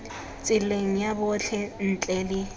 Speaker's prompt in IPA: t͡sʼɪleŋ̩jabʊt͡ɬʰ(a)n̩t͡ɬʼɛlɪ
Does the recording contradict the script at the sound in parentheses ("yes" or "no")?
yes